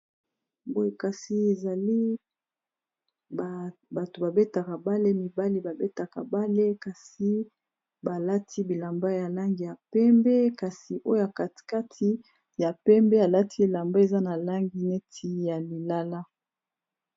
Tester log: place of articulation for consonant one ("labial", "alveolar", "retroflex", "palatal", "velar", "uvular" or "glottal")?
labial